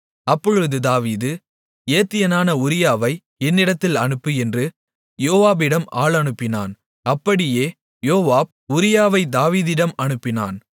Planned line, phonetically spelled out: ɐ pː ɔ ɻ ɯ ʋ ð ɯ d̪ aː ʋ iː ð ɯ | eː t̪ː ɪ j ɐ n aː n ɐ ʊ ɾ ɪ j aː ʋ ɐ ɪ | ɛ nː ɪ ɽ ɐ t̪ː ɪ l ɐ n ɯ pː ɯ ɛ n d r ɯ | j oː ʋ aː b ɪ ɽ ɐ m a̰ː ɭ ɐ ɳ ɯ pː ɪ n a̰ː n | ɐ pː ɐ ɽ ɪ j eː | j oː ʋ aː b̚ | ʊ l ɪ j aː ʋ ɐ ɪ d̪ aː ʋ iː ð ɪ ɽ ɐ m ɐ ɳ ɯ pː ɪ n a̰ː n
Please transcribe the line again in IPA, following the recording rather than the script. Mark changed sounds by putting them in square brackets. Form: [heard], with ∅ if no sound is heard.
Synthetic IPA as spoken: ɐ pː ɔ ɻ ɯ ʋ ð ɯ d̪ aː ʋ iː ð ɯ | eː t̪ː ɪ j ɐ n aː n ɐ ʊ ɾ ɪ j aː ʋ ɐ ɪ | ɛ nː ɪ ɽ ɐ t̪ː ɪ l ɐ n ɯ pː ɯ ɛ n d r ɯ | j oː ʋ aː b ɪ ɽ ɐ m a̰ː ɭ ɐ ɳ ɯ pː ɪ n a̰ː n | ɐ pː ɐ ɽ ɪ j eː | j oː ʋ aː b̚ | ʊ [ɾ] ɪ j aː ʋ ɐ ɪ d̪ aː ʋ iː ð ɪ ɽ ɐ m ɐ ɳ ɯ pː ɪ n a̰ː n